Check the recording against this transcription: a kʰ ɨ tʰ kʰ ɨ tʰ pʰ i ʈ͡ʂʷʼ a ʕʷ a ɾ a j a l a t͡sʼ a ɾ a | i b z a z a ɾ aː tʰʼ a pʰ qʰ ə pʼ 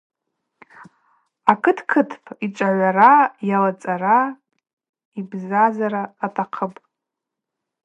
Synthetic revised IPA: a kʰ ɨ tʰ kʰ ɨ tʰ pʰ i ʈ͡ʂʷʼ a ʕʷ a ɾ a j a l a t͡sʼ a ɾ a | i b z a z a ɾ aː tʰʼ a qʰ ə pʼ

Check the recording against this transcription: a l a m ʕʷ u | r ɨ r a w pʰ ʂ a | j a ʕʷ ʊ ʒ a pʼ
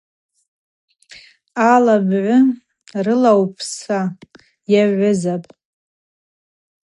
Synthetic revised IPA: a l a b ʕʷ ʊ | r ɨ l a w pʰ s a | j a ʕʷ ʊ z a pʼ

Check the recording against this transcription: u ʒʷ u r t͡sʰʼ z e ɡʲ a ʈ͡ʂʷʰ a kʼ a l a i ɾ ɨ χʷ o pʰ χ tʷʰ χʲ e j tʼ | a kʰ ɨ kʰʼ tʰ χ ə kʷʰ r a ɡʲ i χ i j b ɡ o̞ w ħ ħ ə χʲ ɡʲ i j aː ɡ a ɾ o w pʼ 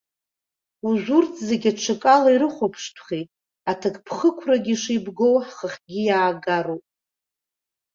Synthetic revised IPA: u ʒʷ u r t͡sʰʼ z e ɡʲ a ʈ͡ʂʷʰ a kʼ a l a i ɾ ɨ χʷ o pʰ ʂ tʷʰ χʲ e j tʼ | a tʰ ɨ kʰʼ pʰ χ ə kʷʰ r a ɡʲ i ʂ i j b ɡ o̞ w ħ χ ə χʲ ɡʲ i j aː ɡ a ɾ o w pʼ

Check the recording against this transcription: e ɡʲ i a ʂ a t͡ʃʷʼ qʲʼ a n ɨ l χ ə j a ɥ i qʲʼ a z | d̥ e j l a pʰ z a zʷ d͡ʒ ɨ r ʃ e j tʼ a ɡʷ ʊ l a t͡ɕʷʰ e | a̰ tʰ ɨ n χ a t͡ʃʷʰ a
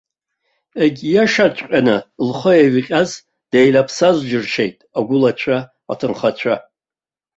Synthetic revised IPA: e ɡʲ j a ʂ a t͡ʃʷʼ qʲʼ a n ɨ l χ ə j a ɥ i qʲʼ a z | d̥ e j l a pʰ s a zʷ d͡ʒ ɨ r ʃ e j tʼ a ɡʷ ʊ l a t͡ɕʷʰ a | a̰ tʰ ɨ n χ a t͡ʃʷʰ a

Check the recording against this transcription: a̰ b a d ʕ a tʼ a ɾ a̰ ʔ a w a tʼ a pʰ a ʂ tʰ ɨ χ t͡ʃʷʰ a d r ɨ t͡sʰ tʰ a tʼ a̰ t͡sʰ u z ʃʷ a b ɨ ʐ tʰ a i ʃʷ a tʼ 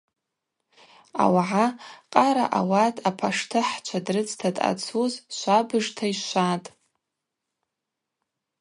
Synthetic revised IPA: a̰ w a ʕ a qʼ a ɾ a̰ ʔ a w a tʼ a pʰ a ʂ tʰ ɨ ħ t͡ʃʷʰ a d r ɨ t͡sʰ tʰ a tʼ a̰ t͡sʰ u z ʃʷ a b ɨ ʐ tʰ a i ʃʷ a tʼ

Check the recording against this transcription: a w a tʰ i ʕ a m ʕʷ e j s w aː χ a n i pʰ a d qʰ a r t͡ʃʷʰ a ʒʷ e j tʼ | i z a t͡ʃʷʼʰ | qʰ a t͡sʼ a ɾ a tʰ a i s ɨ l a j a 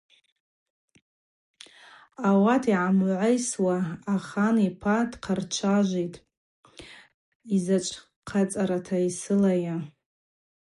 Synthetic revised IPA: a w a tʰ i ʕ a m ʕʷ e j s w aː χ a n i pʰ a d qʰ a r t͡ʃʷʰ a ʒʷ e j tʼ | i z a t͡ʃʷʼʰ | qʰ a t͡sʼ a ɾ a tʰ a i s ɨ l a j a

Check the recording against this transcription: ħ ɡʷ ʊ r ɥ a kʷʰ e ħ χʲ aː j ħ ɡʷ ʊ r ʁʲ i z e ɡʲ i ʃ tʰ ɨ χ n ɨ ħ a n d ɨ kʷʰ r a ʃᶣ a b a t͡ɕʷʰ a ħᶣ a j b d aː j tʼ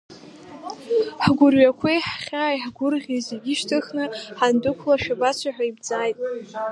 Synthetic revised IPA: ħ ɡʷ ʊ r ɥ a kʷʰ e ħ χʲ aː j ħ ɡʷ ʊ r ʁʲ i z e ɡʲ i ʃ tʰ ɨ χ n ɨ ħ a n d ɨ kʷʰ l a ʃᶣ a b a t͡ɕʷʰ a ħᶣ a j b d͡z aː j tʼ

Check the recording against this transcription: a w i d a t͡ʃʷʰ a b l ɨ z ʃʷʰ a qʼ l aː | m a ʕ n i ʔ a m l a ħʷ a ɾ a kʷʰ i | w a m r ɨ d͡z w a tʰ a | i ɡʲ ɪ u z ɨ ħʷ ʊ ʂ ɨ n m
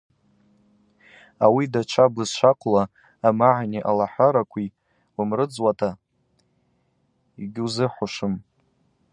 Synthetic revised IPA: a w i d a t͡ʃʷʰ a b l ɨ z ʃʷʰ a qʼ l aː | m a ʕ n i ʔ a l a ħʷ a ɾ a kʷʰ i | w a m r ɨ d͡z w a tʰ a | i ɡʲ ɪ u z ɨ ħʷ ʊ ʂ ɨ m

